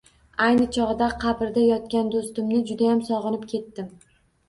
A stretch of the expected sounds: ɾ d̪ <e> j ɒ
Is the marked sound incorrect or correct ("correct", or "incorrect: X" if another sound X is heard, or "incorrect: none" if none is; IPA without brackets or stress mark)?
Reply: incorrect: a